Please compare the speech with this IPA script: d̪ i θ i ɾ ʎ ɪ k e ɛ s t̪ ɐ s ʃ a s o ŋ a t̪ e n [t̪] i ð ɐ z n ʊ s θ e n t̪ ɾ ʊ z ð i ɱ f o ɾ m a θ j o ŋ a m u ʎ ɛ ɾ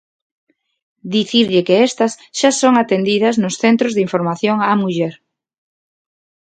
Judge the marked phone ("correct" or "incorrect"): incorrect